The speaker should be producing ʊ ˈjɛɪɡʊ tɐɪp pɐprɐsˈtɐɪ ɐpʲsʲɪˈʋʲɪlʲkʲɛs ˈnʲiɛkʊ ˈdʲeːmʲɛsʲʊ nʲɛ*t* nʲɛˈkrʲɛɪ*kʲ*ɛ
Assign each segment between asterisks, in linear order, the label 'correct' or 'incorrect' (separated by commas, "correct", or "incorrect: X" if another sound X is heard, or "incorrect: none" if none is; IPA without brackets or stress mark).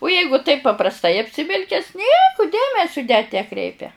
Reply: correct, incorrect: pʲ